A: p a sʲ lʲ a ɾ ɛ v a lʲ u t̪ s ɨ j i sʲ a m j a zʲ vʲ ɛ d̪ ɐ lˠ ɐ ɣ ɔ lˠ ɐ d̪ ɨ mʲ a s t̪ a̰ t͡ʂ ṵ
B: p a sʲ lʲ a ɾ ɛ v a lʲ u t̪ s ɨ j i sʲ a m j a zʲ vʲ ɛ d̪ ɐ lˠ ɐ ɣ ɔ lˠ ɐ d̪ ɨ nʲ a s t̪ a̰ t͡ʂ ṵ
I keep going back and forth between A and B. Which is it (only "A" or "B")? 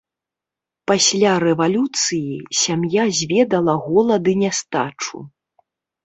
B